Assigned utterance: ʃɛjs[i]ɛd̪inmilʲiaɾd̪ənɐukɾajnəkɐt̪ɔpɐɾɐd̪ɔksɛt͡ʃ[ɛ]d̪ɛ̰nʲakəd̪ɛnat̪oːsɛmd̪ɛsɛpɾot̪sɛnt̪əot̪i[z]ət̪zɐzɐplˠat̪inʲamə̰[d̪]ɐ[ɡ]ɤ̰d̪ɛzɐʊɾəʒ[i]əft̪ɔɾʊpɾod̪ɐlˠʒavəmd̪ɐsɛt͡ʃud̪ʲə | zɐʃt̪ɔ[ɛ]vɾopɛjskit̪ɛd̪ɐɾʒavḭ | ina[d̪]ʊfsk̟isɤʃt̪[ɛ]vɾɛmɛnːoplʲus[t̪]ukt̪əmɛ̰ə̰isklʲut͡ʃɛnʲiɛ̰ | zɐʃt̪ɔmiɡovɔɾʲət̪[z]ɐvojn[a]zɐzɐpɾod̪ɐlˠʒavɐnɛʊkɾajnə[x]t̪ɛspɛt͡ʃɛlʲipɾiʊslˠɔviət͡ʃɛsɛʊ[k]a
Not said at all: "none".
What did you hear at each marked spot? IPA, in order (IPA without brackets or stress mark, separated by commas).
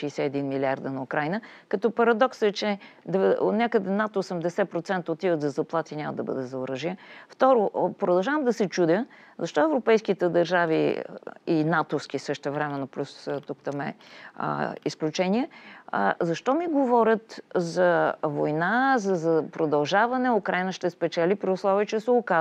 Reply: ɛ, ɛ, v, d̪, b, i, ɛ, t̪, ɛ, t̪, z, a, ʃ, k